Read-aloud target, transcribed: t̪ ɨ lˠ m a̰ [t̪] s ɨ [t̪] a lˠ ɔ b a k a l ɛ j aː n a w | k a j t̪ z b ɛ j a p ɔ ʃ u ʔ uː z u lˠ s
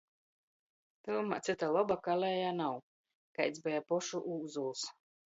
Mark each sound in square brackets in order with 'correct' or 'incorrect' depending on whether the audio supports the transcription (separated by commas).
correct, correct